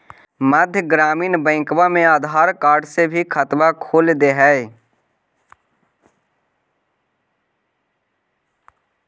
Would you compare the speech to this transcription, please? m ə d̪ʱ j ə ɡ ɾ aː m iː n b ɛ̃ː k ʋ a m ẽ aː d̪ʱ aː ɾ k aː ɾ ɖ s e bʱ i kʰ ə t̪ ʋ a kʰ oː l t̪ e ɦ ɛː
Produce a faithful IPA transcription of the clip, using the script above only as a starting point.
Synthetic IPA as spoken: m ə d̪ʱ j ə ɡ ɾ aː m iː n b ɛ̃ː k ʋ a m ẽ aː d̪ʱ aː ɾ k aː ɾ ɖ s e bʱ i kʰ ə t̪ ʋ a kʰ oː l d̪ e ɦ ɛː